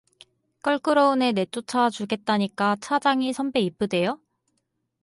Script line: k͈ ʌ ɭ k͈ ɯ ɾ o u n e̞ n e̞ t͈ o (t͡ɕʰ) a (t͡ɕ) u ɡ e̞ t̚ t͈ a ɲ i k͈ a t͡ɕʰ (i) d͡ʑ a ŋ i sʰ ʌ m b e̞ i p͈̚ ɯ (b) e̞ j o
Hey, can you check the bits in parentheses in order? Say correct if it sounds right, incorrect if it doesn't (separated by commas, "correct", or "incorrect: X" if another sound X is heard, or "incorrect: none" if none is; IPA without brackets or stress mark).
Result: correct, correct, incorrect: a, incorrect: d